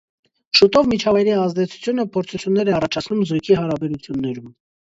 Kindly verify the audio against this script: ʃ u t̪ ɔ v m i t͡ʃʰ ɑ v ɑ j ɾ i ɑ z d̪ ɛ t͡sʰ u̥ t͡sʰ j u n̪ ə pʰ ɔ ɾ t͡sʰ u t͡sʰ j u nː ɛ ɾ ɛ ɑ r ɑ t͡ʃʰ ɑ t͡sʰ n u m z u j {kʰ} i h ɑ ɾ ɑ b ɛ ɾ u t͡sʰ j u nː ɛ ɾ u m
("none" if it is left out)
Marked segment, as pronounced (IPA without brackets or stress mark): kʰ